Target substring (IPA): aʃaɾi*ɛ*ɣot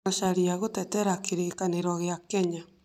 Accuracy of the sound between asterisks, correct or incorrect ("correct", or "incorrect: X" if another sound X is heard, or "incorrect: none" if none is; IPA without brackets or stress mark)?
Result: incorrect: a